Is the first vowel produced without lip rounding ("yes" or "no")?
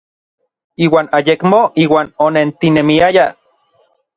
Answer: yes